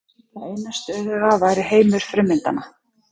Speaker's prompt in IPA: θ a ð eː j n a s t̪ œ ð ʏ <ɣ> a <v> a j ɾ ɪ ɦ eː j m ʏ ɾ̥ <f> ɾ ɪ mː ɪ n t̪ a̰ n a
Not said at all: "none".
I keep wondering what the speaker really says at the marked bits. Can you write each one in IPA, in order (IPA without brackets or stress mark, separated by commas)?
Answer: ɣ, v, f